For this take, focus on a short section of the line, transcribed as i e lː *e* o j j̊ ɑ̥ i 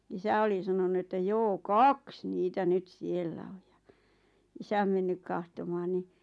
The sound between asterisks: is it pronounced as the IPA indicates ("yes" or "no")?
no